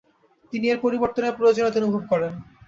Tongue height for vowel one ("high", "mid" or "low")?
high